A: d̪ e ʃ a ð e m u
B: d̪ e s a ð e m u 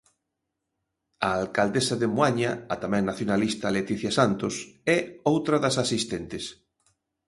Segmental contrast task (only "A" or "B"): B